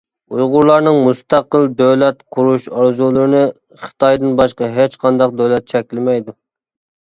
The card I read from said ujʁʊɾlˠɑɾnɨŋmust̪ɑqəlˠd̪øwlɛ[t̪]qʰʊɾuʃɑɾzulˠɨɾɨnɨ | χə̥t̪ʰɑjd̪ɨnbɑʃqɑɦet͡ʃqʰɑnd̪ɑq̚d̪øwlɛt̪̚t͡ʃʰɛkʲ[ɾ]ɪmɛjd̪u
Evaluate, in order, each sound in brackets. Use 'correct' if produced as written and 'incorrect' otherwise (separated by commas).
correct, incorrect